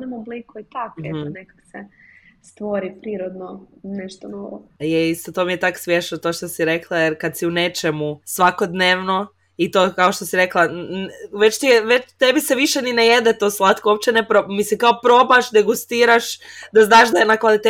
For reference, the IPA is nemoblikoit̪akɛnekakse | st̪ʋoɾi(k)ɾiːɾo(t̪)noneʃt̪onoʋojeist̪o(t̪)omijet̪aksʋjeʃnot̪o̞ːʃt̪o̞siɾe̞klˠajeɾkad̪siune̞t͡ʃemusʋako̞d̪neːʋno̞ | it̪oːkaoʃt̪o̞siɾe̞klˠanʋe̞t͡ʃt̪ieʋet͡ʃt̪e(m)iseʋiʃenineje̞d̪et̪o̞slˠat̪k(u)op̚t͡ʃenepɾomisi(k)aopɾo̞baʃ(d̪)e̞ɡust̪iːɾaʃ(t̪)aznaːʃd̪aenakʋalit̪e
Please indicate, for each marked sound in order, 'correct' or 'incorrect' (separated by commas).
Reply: incorrect, incorrect, correct, incorrect, incorrect, correct, correct, incorrect